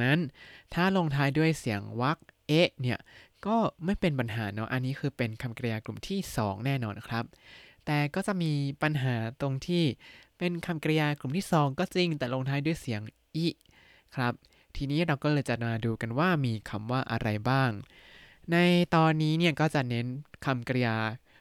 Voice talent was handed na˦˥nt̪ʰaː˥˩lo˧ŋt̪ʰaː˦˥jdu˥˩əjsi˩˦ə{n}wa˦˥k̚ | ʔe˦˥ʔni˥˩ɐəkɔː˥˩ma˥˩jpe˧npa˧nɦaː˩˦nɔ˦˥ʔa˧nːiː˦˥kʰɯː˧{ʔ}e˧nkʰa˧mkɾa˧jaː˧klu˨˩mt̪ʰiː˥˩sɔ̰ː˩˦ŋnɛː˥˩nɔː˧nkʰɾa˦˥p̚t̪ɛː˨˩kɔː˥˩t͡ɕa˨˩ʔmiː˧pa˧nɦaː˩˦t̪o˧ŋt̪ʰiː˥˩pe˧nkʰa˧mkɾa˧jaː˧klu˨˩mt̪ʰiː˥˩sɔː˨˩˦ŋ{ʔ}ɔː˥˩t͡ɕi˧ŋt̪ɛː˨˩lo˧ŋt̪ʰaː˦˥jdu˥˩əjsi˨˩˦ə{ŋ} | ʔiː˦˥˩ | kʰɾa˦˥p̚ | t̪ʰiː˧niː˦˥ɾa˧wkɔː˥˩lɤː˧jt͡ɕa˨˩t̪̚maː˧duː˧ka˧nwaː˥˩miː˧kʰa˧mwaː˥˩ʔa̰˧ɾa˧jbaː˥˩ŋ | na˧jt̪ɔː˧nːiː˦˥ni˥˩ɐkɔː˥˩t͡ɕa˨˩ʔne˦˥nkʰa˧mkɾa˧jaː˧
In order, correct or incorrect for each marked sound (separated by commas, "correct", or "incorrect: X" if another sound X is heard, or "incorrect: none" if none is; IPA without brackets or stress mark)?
incorrect: ŋ, incorrect: p, incorrect: k, correct